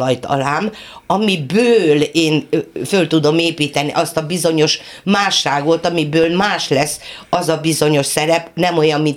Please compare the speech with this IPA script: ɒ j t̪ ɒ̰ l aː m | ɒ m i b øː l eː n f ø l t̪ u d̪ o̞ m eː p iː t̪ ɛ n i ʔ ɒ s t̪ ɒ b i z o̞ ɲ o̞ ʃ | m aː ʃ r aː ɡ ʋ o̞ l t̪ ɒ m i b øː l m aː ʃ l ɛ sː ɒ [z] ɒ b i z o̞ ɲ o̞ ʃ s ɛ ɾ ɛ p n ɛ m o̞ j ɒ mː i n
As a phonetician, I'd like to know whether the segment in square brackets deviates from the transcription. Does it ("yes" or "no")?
no